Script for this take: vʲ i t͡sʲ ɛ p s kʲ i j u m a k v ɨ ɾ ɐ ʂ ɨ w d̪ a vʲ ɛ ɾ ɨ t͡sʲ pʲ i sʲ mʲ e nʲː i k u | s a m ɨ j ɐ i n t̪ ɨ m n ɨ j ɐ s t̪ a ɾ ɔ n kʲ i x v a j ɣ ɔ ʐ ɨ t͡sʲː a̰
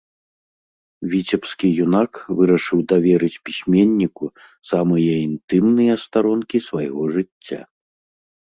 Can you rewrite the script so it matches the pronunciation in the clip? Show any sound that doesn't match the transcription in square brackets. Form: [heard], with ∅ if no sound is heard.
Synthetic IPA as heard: vʲ i t͡sʲ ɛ p s kʲ i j u [n] a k v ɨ ɾ ɐ ʂ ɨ w d̪ a vʲ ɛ ɾ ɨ t͡sʲ pʲ i sʲ mʲ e nʲː i k u | s a m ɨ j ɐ i n t̪ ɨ m n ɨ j ɐ s t̪ a ɾ ɔ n kʲ i [s] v a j ɣ ɔ ʐ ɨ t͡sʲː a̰